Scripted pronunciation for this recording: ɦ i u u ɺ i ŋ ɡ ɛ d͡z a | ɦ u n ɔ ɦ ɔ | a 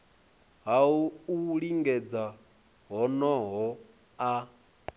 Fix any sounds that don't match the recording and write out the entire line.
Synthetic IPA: ɦ a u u ɺ i ŋ ɡ ɛ d͡z a | ɦ ɔ n ɔ ɦ ɔ | a